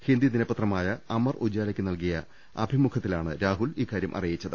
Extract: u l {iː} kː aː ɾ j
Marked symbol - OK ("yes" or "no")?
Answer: yes